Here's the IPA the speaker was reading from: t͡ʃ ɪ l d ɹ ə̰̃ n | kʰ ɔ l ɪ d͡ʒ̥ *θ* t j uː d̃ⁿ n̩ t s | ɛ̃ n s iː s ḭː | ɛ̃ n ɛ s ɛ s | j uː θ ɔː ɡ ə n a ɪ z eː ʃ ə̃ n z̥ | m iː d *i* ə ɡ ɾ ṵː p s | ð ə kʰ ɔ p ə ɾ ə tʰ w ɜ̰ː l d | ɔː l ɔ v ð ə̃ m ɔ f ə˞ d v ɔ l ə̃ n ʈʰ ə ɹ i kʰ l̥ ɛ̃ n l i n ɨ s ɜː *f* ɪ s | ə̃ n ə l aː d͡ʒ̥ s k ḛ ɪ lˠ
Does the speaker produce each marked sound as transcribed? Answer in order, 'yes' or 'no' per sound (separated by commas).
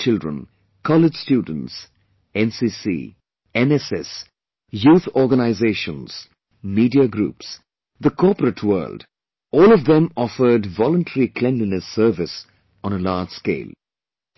no, yes, no